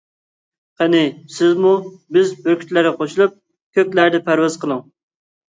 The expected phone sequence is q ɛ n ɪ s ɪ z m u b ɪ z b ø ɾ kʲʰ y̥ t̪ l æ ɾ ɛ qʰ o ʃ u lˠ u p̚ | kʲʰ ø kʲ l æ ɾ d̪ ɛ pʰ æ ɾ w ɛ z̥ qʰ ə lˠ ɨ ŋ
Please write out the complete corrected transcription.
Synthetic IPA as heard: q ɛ n ɪ s ɪ z m u b ɪ z b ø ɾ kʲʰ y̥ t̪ l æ ɾ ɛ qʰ o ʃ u lˠ u p̚ | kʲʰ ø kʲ l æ ɾ d̪ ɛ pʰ æ ɾ w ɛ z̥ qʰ ə lˠ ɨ ŋ